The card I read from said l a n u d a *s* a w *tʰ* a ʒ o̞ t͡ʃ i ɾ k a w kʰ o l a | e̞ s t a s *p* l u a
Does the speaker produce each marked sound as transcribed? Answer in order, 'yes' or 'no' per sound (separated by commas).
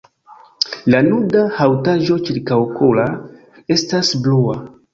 no, no, no